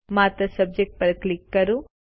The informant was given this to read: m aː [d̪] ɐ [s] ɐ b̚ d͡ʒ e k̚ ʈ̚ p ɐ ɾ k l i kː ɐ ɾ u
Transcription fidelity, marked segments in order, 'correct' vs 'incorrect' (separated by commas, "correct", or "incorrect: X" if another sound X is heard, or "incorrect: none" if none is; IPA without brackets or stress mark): incorrect: t̪, correct